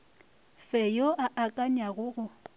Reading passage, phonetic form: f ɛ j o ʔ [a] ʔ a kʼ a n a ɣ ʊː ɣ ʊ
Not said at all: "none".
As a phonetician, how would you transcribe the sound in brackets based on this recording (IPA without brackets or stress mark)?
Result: a